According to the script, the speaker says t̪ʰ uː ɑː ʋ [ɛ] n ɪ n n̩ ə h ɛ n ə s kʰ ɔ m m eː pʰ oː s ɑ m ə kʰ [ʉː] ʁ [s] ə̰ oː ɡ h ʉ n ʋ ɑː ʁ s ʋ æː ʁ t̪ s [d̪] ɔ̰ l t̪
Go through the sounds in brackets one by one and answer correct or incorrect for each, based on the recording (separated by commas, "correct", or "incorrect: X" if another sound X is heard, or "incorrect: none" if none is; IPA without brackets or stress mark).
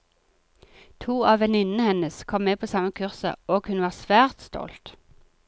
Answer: correct, incorrect: ʉ, correct, incorrect: t̪